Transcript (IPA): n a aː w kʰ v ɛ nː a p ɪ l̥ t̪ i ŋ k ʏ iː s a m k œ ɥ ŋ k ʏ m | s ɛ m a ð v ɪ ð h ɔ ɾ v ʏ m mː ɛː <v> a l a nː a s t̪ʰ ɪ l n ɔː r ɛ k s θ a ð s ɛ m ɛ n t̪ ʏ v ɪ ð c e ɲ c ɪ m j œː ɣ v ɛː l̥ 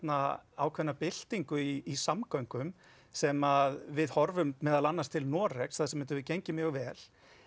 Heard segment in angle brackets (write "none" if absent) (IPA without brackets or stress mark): ð